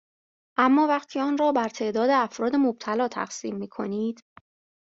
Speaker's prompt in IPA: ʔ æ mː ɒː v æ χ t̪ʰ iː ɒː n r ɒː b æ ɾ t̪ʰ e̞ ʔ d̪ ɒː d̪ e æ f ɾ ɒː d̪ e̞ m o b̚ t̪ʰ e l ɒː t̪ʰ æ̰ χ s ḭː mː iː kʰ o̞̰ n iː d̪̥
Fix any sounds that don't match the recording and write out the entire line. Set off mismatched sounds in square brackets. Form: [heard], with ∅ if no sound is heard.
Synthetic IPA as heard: ʔ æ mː ɒː v æ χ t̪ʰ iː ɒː n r ɒː b æ ɾ t̪ʰ e̞ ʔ d̪ ɒː d̪ e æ f ɾ ɒː d̪ e̞ m o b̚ t̪ʰ [æ] l ɒː t̪ʰ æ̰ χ s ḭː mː iː kʰ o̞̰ n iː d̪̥